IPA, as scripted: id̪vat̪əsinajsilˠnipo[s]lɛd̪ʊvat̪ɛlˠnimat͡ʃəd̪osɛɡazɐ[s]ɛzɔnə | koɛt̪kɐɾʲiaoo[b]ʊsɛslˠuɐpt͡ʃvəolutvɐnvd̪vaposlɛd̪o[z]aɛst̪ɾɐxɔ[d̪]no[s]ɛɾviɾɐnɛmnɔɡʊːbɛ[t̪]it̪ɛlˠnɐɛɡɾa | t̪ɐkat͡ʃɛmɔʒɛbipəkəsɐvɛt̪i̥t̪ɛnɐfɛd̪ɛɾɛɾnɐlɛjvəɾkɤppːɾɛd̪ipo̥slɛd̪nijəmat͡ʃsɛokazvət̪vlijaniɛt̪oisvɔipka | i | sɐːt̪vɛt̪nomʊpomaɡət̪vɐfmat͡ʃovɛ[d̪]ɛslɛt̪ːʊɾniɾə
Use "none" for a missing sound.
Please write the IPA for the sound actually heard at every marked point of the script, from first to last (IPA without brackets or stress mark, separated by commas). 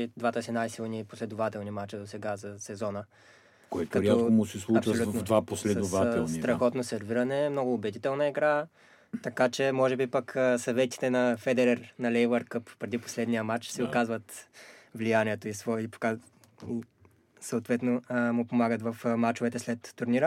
s, s, m, v, t̪, s, d̪, t̪